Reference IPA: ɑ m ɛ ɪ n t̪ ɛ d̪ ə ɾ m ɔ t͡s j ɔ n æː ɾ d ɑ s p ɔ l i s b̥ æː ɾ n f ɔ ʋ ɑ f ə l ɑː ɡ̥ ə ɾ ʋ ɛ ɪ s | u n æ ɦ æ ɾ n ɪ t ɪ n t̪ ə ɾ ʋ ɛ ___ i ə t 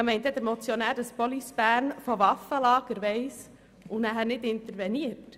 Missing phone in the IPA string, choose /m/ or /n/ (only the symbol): n